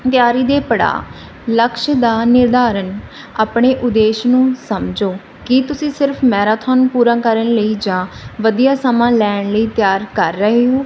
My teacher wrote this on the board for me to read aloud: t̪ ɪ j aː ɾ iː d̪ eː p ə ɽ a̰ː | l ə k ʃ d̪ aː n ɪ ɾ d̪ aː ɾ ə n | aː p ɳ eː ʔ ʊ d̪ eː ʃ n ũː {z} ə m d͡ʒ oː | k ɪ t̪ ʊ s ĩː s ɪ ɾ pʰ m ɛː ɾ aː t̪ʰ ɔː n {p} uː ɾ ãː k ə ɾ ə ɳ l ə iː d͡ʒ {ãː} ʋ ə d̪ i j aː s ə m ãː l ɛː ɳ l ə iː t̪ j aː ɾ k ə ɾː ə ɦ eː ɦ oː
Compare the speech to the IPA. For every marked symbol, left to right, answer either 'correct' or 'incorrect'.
incorrect, correct, correct

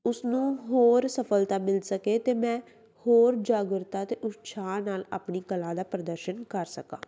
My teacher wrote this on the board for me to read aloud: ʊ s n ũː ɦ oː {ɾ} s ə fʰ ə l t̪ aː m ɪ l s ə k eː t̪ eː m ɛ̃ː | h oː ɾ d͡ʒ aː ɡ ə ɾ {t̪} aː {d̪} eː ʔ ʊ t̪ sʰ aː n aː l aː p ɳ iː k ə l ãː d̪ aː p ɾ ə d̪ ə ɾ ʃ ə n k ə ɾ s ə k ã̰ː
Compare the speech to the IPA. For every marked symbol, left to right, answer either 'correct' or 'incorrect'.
correct, correct, incorrect

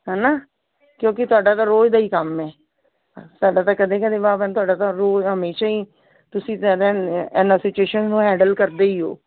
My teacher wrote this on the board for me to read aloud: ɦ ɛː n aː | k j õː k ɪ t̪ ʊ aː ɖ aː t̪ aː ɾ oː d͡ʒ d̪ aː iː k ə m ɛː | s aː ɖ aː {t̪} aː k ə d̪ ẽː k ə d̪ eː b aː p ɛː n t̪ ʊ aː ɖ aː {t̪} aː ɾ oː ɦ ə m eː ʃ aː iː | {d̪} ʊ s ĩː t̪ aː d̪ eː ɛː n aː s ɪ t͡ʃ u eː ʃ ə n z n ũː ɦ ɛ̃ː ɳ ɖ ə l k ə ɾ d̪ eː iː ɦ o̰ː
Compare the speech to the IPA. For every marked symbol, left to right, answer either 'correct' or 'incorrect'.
correct, correct, incorrect

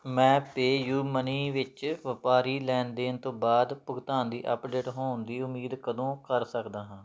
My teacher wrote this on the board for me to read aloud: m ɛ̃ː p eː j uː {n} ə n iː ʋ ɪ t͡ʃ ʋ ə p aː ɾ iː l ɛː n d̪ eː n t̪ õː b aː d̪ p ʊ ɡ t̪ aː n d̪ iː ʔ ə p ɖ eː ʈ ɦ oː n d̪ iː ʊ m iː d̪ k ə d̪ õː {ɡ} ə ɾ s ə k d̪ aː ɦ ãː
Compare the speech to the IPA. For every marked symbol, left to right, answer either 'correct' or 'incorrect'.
incorrect, incorrect

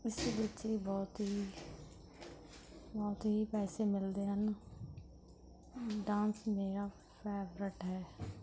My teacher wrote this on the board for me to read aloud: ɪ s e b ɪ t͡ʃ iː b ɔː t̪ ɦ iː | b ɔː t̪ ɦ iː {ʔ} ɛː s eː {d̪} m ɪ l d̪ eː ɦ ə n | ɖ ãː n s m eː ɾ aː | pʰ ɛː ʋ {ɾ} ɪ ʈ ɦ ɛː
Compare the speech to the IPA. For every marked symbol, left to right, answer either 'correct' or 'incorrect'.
incorrect, incorrect, correct

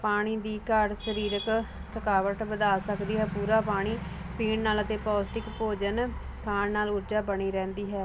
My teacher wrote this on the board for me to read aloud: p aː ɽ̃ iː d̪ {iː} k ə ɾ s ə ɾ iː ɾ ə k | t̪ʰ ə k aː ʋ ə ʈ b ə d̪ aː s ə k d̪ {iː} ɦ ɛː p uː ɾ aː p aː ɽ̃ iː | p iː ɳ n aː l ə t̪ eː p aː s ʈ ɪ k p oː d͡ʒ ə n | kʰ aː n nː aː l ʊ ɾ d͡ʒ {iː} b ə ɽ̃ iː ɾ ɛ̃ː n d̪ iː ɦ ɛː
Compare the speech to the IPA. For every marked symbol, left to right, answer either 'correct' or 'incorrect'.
correct, correct, incorrect

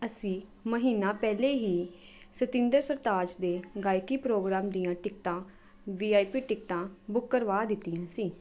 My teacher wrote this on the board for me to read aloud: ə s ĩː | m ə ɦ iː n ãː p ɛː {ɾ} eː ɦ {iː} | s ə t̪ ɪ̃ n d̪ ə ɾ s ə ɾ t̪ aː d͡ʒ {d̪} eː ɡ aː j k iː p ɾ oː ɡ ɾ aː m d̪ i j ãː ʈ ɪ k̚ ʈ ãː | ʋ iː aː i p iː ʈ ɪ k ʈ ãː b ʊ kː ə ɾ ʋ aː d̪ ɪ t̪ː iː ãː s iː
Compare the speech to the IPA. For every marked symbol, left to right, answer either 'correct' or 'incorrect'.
incorrect, correct, correct

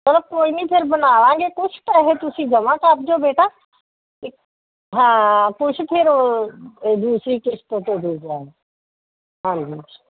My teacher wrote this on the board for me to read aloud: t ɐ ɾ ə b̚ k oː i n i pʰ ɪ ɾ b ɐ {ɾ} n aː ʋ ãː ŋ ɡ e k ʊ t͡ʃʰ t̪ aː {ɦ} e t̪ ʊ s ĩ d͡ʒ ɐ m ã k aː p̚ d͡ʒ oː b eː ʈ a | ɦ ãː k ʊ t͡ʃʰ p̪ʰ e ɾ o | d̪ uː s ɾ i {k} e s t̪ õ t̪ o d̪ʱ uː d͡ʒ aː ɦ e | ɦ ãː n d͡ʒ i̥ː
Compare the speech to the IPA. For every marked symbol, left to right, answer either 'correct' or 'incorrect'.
incorrect, correct, correct

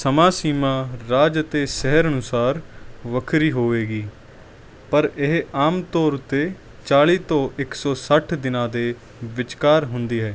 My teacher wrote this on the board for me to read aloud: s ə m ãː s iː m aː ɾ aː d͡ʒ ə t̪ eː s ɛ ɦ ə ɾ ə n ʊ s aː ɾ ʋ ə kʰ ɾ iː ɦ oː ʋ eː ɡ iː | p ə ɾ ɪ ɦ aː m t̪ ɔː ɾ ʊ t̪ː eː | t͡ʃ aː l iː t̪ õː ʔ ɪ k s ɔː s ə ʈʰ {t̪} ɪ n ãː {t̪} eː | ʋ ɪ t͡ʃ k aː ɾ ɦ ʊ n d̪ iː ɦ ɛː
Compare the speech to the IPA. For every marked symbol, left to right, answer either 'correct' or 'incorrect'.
incorrect, incorrect

